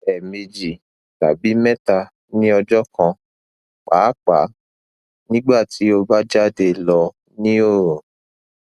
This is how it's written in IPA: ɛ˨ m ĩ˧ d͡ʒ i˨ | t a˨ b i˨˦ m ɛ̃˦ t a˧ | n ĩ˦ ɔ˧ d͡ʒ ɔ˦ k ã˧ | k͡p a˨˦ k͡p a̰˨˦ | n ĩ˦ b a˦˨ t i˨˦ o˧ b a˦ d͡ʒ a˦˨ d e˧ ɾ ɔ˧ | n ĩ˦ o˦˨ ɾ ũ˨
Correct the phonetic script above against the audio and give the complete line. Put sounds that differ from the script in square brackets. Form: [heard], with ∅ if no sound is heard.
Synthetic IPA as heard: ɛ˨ m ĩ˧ d͡ʒ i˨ | t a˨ b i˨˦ m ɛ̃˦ t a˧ | n ĩ˦ ɔ˧ d͡ʒ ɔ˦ k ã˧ | k͡p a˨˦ k͡p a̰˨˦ | n ĩ˦ [ɡ͡b] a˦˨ t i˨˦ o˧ b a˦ d͡ʒ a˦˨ d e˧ [l] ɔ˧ | n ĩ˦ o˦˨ ɾ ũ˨